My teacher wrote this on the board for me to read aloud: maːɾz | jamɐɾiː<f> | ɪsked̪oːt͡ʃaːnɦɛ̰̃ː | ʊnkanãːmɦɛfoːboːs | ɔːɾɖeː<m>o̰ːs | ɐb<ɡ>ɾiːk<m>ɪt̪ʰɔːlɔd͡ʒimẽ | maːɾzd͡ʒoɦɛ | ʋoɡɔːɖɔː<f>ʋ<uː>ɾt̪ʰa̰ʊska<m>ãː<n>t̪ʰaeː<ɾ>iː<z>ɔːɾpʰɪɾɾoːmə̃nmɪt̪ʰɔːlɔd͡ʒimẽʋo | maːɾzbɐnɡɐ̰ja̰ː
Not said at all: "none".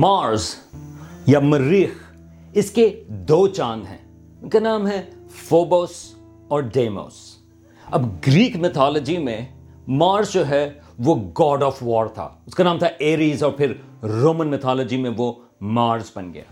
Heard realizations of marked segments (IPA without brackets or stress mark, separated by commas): x, m, ɡ, m, f, ɔː, n, m, ɾ, z